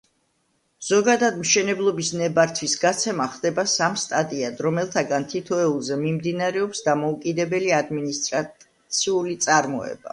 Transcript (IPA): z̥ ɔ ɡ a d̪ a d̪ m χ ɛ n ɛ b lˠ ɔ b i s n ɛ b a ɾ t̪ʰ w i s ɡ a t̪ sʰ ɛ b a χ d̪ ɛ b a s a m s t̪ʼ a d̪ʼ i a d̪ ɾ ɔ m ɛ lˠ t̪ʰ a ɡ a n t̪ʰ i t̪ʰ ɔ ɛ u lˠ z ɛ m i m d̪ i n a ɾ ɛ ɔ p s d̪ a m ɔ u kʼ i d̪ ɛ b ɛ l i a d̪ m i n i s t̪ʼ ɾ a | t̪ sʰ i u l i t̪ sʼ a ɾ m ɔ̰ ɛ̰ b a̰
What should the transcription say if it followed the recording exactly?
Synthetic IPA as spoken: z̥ ɔ ɡ a d̪ a d̪ m ʃ ɛ n ɛ b lˠ ɔ b i s n ɛ b a ɾ t̪ʰ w i s ɡ a t̪ sʰ ɛ m a χ d̪ ɛ b a s a m s t̪ʼ a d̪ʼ i a d̪ ɾ ɔ m ɛ lˠ t̪ʰ a ɡ a n t̪ʰ i t̪ʰ ɔ ɛ u lˠ z ɛ m i m d̪ i n a ɾ ɛ ɔ p s d̪ a m ɔ u kʼ i d̪ ɛ b ɛ l i a d̪ m i n i s t̪ʼ ɾ a | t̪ sʰ i u l i t̪ sʼ a ɾ m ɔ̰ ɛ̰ b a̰